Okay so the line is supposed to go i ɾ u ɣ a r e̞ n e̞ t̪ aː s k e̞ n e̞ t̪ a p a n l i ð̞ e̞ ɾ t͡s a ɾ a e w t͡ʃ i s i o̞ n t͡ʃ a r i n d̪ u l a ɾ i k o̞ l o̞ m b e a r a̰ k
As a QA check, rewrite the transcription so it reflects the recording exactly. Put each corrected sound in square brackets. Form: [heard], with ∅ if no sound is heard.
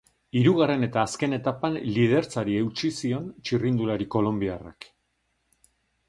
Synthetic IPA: i ɾ u ɣ a r e̞ n e̞ t̪ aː s k e̞ n e̞ t̪ a p a n l i ð̞ e̞ ɾ t͡s a ɾ [i] e w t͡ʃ i s i o̞ n t͡ʃ [i] r i n d̪ u l a ɾ i k o̞ l o̞ m b [i] a r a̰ k